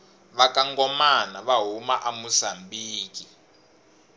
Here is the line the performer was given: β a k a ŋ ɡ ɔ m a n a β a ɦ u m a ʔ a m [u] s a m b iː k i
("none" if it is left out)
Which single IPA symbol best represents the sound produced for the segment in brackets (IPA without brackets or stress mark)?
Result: u